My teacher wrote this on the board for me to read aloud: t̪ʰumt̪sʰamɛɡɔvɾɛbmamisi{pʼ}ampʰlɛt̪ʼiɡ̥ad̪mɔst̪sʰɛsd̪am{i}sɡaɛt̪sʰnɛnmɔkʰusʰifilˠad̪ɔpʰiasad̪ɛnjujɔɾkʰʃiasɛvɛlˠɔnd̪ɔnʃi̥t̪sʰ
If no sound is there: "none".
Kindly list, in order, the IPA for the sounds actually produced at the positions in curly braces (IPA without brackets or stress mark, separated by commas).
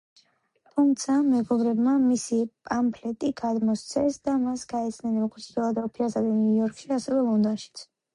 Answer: pʼ, a